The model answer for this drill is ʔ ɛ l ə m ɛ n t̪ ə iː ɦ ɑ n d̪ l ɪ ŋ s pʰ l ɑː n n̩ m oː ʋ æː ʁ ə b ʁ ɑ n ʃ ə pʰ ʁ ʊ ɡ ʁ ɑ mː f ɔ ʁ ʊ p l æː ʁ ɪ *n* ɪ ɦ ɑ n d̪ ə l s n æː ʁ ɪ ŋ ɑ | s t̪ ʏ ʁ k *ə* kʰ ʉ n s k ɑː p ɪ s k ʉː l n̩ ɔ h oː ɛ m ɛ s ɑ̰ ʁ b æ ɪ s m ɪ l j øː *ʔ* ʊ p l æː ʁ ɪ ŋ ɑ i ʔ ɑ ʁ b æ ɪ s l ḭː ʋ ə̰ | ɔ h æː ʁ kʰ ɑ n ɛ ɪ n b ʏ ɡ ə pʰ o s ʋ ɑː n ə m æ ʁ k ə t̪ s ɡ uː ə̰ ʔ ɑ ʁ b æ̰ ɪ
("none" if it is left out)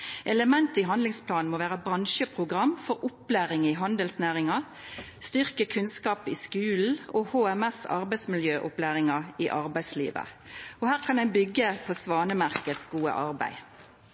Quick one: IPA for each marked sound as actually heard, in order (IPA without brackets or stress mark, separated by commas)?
ŋ, ə, ʔ